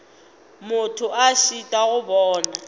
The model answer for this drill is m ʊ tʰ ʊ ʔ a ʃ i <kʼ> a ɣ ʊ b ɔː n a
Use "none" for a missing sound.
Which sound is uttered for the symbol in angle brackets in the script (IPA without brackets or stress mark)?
tʼ